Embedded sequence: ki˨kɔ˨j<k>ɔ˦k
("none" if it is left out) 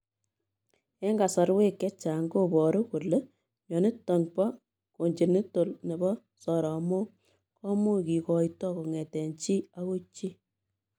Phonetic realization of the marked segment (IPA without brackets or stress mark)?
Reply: t